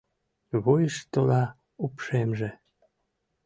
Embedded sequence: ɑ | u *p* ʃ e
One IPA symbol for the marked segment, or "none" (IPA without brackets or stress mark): p